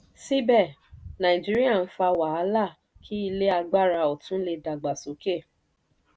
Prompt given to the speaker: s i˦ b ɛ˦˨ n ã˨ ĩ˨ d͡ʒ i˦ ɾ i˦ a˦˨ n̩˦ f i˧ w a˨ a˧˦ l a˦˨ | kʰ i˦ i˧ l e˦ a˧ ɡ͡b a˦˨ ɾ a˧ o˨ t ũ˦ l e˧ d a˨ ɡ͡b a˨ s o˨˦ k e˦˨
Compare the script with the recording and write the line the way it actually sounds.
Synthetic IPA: s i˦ b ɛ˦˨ n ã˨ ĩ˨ d͡ʒ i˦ ɾ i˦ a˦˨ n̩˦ f a˧ w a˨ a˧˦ l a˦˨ | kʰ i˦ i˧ l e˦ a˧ ɡ͡b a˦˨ ɾ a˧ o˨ t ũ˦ l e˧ d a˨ ɡ͡b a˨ s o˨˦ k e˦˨